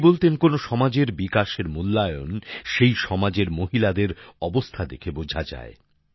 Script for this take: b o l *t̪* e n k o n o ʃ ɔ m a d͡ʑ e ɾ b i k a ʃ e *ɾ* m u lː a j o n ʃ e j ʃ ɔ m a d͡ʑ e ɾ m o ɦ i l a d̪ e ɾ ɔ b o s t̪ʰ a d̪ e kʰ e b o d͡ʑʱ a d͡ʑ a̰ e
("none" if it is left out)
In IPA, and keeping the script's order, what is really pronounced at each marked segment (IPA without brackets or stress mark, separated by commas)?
t̪, ɾ